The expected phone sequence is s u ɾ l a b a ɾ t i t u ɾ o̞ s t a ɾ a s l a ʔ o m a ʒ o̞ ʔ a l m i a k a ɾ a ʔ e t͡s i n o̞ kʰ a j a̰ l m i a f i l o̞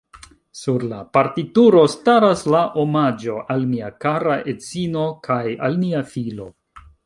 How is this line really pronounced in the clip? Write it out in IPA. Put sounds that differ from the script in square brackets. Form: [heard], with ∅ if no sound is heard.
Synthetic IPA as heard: s u ɾ l a [p] a ɾ t i t u ɾ o̞ s t a ɾ a s l a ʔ o m a [d͡ʒ] o̞ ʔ a l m i a k a ɾ a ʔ e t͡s i n o̞ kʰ a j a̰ l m i a f i l o̞